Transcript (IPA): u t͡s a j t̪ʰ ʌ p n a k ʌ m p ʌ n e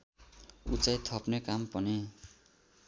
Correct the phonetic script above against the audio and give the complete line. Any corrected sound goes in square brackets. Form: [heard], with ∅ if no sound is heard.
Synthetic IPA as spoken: u t͡s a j t̪ʰ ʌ p n [e] k [a] m p ʌ n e

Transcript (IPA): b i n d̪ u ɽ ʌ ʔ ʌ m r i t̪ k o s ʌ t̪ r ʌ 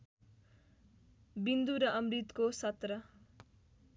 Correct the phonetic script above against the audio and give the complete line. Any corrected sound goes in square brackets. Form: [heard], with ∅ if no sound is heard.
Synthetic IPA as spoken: b i n d̪ u [ɾ] ʌ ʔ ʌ m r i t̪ k o s ʌ t̪ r ʌ

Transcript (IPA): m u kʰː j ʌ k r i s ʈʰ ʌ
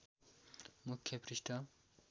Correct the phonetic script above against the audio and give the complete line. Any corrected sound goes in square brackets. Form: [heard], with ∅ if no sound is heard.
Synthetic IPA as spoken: m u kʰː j ʌ [p] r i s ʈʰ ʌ

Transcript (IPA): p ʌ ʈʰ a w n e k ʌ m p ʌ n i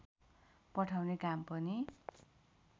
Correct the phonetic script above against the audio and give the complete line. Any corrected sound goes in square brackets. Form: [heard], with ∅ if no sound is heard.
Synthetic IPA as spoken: p ʌ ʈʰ a w n e k [a] m p ʌ n i

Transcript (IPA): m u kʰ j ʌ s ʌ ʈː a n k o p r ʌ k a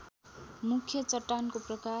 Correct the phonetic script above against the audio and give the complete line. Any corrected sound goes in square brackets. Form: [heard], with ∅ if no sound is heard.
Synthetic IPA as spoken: m u kʰ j ʌ [t͡s] ʌ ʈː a n k o p r ʌ k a

